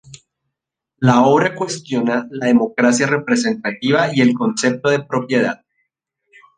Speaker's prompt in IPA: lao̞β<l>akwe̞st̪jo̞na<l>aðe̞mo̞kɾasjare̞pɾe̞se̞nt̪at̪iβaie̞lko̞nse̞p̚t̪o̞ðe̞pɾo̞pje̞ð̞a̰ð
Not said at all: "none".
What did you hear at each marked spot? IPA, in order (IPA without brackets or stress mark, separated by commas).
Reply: ɾ, l